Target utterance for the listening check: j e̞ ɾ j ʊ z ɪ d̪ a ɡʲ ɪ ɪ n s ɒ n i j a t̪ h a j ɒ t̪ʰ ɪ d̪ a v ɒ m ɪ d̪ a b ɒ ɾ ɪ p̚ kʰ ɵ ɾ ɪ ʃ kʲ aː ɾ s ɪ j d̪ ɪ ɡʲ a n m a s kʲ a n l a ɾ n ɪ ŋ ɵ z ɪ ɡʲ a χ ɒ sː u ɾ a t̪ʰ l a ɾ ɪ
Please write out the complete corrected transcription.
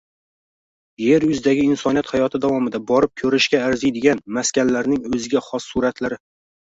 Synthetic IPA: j e̞ ɾ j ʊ z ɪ d̪ a ɡʲ ɪ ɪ n s ɒ n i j a t̪ h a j ɒ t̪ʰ ɪ d̪ a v ɒ m ɪ d̪ a b ɒ ɾ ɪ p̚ kʰ ɵ ɾ ɪ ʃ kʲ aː ɾ z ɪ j d̪ ɪ ɡʲ a n m a s kʲ a n l a ɾ n ɪ ŋ ɵ z ɪ ɡʲ a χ ɒ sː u ɾ a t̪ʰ l a ɾ ɪ